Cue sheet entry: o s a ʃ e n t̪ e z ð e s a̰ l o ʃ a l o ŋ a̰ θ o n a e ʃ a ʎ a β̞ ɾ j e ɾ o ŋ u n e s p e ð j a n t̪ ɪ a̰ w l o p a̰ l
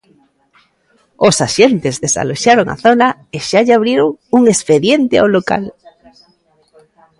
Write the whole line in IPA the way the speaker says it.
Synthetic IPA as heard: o s a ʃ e n t̪ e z ð e s a̰ l o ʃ a ɾ o ŋ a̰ θ o n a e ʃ a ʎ a β̞ ɾ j e ɾ o ŋ u ŋ e s p e ð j e n t̪ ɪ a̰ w l o k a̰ l